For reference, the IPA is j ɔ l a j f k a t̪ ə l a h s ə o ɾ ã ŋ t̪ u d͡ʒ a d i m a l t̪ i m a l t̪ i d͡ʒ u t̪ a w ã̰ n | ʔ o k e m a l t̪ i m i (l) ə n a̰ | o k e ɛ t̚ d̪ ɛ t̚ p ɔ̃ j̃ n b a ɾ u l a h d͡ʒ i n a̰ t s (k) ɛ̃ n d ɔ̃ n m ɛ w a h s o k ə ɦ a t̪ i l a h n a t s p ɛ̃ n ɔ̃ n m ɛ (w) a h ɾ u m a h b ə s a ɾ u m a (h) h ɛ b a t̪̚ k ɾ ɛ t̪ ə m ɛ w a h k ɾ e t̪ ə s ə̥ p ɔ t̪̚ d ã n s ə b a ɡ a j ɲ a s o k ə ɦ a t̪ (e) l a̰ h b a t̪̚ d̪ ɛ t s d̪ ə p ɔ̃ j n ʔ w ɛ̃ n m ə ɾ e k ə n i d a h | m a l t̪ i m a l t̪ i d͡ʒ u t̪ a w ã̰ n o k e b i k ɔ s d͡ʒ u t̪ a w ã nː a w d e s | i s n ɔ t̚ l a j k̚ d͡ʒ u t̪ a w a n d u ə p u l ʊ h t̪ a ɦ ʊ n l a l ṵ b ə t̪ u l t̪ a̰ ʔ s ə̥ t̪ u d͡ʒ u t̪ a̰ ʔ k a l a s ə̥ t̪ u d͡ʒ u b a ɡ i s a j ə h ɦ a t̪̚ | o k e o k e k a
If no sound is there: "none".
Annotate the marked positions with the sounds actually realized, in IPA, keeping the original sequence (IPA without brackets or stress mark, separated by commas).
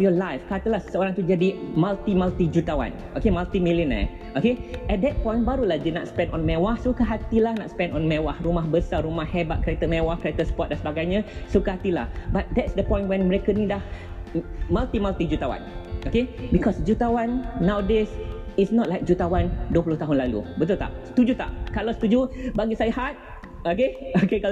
l, p, w, h, i